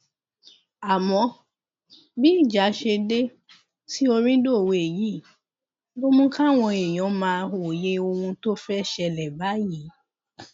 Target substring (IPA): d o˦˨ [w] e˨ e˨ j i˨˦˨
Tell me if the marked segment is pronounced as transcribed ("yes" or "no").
yes